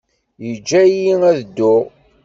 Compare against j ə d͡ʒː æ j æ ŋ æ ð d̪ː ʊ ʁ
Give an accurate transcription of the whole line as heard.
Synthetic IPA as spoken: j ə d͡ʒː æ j i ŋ æ ð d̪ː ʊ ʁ